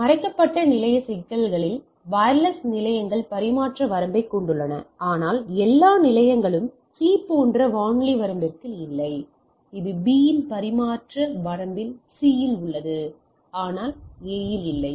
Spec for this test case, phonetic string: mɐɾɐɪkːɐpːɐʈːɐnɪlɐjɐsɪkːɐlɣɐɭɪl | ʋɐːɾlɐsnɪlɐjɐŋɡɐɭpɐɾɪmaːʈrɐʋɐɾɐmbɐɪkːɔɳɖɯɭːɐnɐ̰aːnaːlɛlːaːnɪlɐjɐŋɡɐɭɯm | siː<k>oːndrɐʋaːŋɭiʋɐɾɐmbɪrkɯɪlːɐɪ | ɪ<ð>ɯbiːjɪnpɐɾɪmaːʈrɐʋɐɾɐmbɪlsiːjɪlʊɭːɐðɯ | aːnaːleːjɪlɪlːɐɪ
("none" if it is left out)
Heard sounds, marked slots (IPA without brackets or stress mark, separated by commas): p, ð